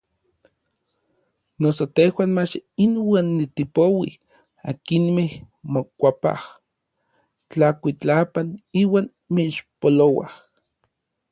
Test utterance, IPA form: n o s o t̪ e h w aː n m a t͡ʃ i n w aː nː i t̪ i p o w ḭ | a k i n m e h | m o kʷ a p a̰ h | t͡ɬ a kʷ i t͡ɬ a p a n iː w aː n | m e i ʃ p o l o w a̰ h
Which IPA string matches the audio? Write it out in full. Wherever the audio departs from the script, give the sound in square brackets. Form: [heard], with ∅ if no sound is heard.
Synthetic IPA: n o s o t̪ e h w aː n m a t͡ʃ i n w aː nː i t̪ i p o w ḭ | a k i n m e h | m o kʷ a p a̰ h | t͡ɬ a kʷ i t͡ɬ a p a n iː w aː n | m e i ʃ p o l o w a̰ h